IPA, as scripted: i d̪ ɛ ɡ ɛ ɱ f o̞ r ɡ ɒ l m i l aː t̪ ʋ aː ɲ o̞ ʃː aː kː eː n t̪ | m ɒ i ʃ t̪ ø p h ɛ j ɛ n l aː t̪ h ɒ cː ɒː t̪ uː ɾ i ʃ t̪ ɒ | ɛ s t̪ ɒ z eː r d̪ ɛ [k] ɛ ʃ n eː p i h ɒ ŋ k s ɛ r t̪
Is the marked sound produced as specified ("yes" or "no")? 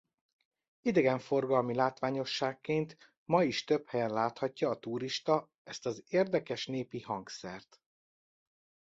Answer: yes